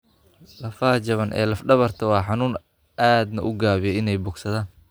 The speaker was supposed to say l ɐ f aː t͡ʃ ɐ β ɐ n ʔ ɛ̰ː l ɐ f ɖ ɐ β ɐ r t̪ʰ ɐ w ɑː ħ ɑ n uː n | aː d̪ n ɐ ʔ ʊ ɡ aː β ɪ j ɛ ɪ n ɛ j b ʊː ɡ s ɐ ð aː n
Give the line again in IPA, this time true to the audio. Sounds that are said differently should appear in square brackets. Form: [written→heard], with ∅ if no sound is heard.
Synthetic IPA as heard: l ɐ f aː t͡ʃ ɐ β ɐ n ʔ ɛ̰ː l ɐ f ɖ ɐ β ɐ r t̪ʰ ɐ w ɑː ħ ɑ n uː n | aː d̪ n ɐ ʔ ʊ ɡ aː β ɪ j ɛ ɪ n ɛ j b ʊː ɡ s ɐ ð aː n